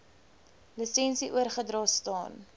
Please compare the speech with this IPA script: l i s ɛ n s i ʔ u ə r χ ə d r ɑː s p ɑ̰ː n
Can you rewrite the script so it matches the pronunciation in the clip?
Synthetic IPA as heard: l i s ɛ n s i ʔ u ə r χ ə d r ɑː s t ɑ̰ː n